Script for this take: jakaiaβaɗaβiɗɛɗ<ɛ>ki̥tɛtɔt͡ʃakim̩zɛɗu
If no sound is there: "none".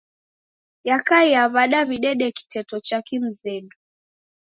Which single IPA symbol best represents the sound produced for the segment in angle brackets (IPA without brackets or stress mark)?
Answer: ɛ